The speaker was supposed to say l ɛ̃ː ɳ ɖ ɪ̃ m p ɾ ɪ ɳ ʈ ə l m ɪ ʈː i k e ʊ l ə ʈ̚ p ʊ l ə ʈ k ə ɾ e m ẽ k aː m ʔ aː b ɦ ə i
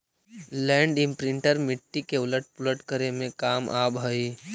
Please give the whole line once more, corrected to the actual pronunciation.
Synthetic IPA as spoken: l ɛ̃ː ɳ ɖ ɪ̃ m p ɾ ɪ ɳ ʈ ə ɾ m ɪ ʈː i k e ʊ l ə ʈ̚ p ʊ l ə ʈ k ə ɾ e m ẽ k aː m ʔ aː b ɦ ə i